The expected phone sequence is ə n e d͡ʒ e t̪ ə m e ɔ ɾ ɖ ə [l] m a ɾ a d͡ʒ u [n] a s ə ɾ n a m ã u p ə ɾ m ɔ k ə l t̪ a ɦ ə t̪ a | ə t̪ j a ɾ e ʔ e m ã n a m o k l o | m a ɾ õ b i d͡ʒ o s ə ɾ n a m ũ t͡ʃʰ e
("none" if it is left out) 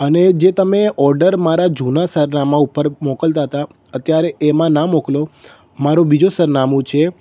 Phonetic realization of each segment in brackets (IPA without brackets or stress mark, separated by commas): ɾ, n